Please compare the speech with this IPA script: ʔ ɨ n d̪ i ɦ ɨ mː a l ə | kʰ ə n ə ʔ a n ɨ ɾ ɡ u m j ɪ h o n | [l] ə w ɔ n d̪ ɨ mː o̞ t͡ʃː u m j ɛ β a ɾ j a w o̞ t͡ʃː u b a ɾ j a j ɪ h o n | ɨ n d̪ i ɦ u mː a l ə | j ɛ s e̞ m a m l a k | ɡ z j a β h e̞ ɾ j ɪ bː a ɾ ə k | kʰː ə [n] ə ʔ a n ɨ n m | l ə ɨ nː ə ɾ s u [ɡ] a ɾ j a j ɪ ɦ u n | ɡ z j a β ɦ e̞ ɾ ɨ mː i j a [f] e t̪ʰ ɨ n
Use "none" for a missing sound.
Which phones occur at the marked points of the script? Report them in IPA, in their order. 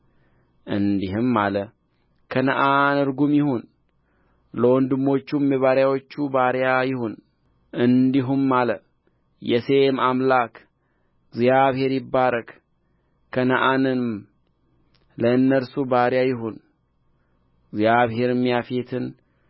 l, n, b, f

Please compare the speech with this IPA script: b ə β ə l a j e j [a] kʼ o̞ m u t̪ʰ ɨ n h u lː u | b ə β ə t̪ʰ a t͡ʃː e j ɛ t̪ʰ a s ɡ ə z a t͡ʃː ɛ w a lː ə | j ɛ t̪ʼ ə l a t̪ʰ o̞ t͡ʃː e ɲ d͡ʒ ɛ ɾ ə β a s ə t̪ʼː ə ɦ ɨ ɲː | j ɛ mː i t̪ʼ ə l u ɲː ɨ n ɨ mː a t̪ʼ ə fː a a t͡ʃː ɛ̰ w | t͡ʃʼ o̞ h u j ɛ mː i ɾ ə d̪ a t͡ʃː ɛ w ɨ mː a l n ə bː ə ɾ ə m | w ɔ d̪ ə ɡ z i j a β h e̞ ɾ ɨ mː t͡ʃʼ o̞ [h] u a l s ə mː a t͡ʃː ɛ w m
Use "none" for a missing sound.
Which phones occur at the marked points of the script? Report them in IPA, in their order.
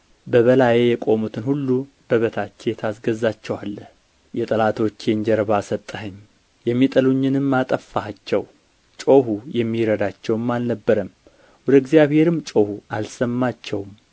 ɛ, h

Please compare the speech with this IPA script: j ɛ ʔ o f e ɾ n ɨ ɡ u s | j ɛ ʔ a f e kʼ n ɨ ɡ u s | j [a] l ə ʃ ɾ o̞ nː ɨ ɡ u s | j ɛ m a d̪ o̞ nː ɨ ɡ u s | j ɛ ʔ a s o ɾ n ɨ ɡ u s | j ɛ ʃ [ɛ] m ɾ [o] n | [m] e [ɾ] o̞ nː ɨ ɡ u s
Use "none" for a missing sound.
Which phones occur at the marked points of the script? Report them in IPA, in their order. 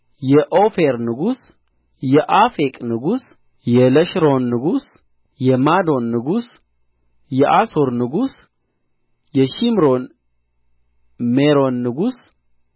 ɛ, i, o, m, ɾ

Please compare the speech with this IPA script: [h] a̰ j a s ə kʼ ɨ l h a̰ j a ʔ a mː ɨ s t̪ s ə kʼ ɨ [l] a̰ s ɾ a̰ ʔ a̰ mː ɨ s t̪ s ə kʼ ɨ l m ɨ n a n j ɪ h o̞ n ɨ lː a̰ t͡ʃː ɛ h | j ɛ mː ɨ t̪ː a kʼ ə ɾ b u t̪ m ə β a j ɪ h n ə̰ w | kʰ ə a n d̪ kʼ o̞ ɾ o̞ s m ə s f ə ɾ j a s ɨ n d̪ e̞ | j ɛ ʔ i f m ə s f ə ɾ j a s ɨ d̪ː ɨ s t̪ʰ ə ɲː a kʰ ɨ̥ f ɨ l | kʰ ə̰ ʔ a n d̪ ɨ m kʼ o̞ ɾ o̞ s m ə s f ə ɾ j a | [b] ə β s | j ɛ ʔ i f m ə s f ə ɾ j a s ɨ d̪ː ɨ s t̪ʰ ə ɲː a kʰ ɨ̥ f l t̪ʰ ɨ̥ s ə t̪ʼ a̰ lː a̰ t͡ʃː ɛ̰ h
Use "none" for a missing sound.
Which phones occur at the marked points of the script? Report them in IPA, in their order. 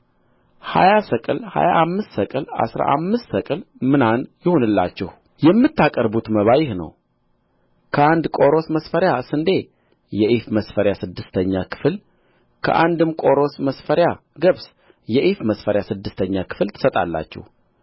h, l, ɡ

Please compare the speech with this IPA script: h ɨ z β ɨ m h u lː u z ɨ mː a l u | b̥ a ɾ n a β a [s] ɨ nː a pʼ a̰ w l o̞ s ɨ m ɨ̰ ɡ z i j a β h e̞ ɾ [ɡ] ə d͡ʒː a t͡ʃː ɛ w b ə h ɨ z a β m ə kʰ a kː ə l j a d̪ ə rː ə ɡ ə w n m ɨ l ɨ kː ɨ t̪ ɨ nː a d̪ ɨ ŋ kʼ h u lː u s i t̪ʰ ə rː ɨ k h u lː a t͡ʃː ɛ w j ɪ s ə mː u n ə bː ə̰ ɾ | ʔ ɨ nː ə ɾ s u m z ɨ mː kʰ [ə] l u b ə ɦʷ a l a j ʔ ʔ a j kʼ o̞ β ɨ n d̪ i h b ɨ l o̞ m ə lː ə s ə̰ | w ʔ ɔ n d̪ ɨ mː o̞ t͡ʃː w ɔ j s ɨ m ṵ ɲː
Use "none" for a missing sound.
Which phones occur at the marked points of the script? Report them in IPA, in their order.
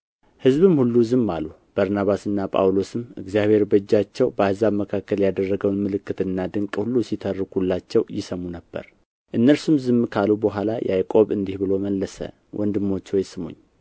s, b, a

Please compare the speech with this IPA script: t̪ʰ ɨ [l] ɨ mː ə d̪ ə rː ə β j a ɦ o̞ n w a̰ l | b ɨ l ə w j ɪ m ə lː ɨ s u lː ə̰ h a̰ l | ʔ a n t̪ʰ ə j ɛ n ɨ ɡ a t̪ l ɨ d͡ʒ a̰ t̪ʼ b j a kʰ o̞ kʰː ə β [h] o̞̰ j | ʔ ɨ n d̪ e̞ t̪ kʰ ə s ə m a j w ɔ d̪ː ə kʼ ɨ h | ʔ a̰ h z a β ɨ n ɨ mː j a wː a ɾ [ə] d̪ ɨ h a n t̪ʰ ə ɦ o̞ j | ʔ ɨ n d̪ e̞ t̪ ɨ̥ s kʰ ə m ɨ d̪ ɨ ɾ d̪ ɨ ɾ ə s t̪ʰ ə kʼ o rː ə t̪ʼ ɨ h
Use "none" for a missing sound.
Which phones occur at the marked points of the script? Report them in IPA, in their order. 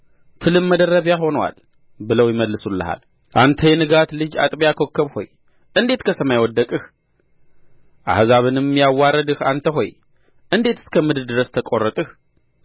l, h, ə

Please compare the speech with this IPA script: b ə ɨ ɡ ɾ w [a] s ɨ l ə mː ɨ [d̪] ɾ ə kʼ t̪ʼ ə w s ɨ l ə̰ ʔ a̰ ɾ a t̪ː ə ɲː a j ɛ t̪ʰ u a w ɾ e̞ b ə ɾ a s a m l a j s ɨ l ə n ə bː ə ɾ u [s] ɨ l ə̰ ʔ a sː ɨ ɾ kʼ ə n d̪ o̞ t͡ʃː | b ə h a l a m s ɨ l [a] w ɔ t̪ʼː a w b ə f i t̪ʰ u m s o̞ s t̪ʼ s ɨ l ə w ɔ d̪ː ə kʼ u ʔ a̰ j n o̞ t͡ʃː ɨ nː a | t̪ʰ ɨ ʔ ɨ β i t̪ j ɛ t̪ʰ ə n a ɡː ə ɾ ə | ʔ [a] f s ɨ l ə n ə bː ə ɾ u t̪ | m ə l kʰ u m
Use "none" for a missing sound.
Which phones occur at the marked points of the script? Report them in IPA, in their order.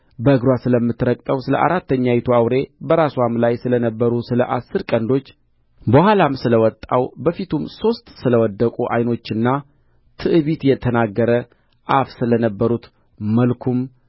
a, t̪, s, ə, a

